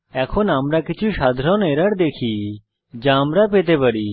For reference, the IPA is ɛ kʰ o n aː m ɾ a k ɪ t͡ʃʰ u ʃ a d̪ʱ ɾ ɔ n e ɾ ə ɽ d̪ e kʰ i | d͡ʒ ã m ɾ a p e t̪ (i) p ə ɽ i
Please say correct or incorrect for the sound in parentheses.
incorrect: e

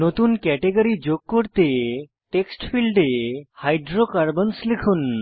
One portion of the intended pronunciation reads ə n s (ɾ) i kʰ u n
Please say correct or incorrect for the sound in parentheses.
incorrect: l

